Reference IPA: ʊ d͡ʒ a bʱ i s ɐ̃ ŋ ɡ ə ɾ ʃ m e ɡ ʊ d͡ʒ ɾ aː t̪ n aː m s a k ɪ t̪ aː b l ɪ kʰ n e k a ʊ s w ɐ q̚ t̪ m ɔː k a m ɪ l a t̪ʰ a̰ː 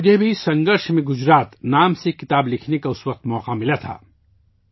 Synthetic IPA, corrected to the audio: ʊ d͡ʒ e bʱ i s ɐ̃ ŋ ɡ ə ɾ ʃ m ẽ ɡ ʊ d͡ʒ ɾ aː t̪ n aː m s e k ɪ t̪ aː b l ɪ kʰ n e k a ʊ s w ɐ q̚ t̪ m ɔː q a m ɪ l a t̪ʰ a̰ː